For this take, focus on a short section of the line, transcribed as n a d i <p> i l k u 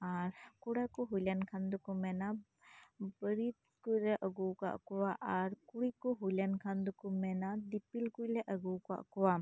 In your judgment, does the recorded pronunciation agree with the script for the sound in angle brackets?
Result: yes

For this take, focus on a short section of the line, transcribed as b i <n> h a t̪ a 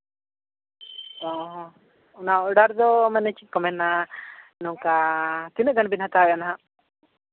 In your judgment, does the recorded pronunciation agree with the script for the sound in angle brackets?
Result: yes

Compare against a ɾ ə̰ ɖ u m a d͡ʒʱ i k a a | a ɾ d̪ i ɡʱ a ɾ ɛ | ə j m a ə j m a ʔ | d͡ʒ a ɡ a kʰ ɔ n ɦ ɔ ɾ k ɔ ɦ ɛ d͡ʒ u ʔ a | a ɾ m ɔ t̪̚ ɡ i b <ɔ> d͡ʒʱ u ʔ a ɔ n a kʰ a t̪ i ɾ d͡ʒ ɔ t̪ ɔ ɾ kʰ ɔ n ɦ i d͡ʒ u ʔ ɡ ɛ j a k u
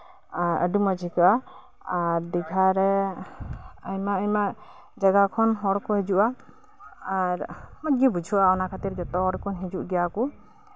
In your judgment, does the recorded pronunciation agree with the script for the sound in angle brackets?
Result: no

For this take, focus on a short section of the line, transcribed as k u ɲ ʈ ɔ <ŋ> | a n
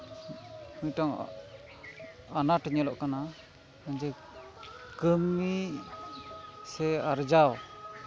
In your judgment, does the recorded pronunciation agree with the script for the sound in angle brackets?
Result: yes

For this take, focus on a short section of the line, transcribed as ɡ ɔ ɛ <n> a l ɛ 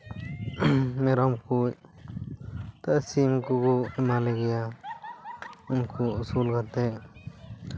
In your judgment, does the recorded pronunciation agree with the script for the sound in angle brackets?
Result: no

